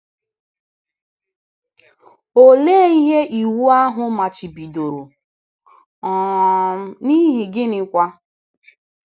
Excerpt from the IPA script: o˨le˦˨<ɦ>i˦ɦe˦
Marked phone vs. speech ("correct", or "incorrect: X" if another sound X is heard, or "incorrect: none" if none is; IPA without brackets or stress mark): incorrect: none